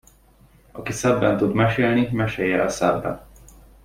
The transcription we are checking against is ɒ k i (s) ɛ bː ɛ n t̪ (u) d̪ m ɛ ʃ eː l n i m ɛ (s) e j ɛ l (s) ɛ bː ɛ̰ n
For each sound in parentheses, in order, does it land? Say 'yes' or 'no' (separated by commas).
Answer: yes, yes, no, yes